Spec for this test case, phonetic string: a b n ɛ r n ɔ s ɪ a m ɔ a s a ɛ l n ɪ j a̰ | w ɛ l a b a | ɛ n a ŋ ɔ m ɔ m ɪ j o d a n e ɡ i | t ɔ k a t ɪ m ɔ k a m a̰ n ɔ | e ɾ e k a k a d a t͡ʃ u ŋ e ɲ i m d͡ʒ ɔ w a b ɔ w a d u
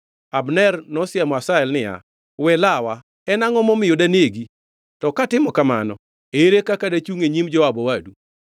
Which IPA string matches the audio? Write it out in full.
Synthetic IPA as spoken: a b n ɛ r n ɔ s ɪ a m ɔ a s a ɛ l n ɪ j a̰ | w ɛ l a w a | ɛ n a ŋ ɔ m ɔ m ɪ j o d a n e ɡ i | t ɔ k a t ɪ m ɔ k a m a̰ n ɔ | e ɾ e k a k a d a t͡ʃ u ŋ e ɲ i m d͡ʒ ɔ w a b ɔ w a d u